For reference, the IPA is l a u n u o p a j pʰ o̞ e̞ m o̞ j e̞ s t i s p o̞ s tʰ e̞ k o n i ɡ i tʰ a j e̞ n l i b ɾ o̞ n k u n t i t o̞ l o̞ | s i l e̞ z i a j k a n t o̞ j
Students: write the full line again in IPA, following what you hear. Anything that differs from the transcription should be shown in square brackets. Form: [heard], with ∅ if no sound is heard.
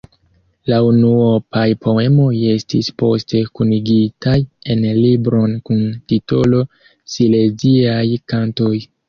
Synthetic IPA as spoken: l a u n u o p a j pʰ o̞ e̞ m o̞ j e̞ s t i s p o̞ s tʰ e̞ k [u] n i ɡ i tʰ a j e̞ n l i b ɾ o̞ n k u n t i t o̞ l o̞ | s i l e̞ z i a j k a n t o̞ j